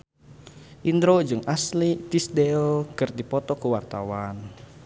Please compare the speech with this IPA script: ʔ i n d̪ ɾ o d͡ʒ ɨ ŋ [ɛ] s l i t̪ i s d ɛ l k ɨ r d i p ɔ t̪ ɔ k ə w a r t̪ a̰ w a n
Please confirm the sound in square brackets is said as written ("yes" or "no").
no